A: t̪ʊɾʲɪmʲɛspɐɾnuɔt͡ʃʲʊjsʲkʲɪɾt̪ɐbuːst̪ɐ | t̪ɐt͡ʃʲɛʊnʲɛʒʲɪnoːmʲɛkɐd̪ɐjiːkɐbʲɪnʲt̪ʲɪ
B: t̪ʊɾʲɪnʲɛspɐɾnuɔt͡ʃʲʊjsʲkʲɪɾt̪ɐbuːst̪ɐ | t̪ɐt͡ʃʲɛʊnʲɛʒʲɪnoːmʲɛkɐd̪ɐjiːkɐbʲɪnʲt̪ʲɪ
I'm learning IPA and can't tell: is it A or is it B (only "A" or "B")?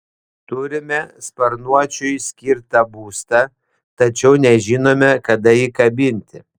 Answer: A